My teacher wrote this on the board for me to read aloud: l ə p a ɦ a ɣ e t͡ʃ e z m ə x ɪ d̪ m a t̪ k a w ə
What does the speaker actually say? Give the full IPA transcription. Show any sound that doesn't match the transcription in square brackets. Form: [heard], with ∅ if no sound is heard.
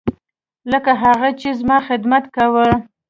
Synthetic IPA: l ə [k] a ɦ a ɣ [a] t͡ʃ e z m [ɑ] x ɪ d̪ m a t̪ k a w ə